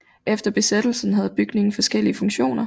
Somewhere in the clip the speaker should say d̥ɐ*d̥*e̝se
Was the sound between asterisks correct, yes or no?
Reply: no